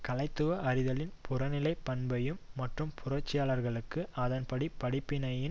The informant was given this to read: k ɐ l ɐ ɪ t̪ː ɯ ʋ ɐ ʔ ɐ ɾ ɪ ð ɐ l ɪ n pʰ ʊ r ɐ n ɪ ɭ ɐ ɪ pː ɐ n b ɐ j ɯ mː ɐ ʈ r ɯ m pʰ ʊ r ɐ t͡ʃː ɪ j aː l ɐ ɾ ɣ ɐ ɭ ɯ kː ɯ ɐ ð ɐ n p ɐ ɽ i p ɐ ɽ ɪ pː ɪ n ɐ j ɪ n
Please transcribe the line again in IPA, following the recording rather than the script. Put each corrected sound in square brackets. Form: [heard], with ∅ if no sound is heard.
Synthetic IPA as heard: k ɐ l ɐ ɪ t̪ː ɯ ʋ ɐ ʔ ɐ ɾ ɪ ð ɐ l ɪ n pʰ ʊ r ɐ n ɪ [l] ɐ ɪ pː ɐ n b ɐ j ɯ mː ɐ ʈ r ɯ m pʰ ʊ r ɐ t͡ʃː ɪ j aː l ɐ ɾ ɣ ɐ ɭ ɯ kː ɯ ɐ ð ɐ n p ɐ ɽ i p ɐ ɽ ɪ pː ɪ n ɐ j ɪ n